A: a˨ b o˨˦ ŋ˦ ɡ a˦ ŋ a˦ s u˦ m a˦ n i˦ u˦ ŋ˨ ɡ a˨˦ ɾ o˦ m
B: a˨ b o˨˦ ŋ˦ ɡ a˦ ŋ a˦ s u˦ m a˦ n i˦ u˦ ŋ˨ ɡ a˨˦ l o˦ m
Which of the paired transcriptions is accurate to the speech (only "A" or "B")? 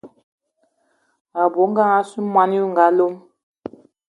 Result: B